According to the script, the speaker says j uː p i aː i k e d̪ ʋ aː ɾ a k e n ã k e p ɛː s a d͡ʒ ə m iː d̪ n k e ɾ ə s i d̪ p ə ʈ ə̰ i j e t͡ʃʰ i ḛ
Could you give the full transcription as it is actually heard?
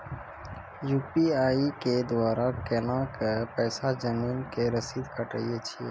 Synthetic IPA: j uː p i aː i k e d̪ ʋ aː ɾ a k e n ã k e p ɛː s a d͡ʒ ə m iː n k e ɾ ə s i d̪ k ə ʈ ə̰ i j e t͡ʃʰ i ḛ